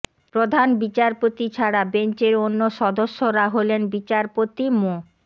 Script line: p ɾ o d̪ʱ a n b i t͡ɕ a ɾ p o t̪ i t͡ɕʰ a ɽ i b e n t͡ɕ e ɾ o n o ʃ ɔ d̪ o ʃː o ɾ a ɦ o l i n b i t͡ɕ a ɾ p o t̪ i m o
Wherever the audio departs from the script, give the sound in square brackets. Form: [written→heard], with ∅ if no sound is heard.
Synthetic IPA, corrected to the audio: p ɾ o d̪ʱ a n b i t͡ɕ a ɾ p o t̪ i t͡ɕʰ a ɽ [i→a] b e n t͡ɕ e ɾ o [n→nː] o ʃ ɔ d̪ o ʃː o ɾ a ɦ o l [i→e] n b i t͡ɕ a ɾ p o t̪ i m o